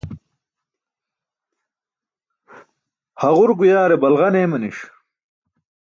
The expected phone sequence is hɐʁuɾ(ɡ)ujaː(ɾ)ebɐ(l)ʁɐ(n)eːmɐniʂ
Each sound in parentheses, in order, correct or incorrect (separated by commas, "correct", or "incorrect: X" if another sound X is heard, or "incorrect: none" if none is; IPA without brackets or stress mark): correct, correct, correct, correct